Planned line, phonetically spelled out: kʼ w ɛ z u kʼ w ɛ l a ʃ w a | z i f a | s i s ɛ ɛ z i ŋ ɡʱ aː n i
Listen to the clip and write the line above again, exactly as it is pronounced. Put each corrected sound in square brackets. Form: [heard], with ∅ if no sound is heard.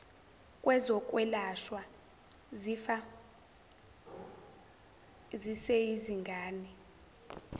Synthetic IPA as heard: kʼ w ɛ z [ɔ] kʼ w ɛ l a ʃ w a | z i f a | [z] i s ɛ [i] z i ŋ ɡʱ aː n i